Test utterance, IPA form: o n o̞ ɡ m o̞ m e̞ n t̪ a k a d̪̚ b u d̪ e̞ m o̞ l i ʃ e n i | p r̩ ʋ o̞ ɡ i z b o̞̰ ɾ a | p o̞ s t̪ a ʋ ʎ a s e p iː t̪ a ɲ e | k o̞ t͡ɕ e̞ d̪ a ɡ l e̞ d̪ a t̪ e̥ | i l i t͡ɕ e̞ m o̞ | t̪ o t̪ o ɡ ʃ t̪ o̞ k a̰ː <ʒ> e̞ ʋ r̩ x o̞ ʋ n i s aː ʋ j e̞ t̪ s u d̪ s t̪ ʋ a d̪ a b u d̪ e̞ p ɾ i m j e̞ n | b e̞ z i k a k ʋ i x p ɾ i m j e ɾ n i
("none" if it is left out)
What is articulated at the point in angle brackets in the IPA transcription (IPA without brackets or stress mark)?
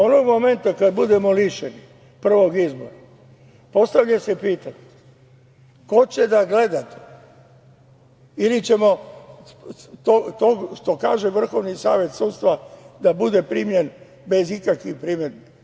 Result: ʒ